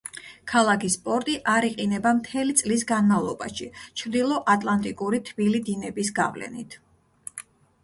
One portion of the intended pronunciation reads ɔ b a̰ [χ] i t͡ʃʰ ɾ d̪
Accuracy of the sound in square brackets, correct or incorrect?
incorrect